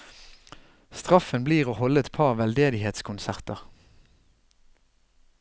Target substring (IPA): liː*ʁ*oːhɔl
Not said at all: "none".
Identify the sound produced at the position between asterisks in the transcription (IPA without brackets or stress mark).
ʁ